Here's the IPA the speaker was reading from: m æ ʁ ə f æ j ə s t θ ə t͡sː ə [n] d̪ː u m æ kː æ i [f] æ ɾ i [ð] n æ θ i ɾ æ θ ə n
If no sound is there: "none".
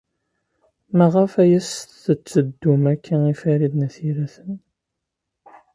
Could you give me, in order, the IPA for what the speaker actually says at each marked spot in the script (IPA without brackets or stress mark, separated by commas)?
none, f, ð